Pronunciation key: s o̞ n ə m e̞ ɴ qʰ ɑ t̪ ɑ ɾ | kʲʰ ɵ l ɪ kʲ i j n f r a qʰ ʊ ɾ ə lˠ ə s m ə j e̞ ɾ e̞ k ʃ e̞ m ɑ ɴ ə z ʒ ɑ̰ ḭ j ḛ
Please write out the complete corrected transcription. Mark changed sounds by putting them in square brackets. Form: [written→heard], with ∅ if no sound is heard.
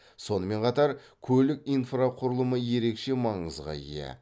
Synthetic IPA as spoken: s o̞ n ə m e̞ ɴ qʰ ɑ t̪ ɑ ɾ | kʲʰ ɵ l ɪ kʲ i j n f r a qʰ ʊ ɾ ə lˠ ə [s→∅] m ə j e̞ ɾ e̞ k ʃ e̞ m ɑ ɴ ə z [ʒ→ʁ] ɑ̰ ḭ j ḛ